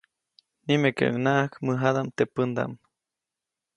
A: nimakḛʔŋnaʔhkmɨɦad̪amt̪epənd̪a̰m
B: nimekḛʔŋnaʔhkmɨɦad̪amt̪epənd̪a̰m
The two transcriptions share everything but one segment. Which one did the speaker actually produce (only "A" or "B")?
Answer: B